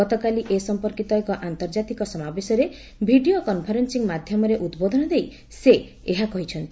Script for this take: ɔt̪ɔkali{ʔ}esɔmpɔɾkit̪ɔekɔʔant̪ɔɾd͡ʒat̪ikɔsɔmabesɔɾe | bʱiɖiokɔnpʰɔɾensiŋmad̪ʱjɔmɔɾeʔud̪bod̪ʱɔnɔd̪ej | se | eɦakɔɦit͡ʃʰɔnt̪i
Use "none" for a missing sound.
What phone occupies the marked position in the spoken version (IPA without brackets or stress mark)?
ʔ